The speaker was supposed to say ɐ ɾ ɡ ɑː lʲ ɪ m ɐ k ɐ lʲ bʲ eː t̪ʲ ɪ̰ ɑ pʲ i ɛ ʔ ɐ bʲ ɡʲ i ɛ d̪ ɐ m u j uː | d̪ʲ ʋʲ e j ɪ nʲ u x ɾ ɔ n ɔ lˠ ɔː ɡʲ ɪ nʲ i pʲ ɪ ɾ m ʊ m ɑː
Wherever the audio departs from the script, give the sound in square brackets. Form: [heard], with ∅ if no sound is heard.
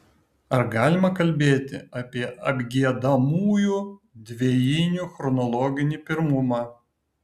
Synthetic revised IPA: ɐ ɾ ɡ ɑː lʲ ɪ m ɐ k ɐ lʲ bʲ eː t̪ʲ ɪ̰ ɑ pʲ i ɛ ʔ ɐ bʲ ɡʲ i ɛ d̪ ɐ m [uː] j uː | d̪ʲ ʋʲ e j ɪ nʲ u x ɾ ɔ n ɔ lˠ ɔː ɡʲ ɪ nʲ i pʲ ɪ ɾ m ʊ m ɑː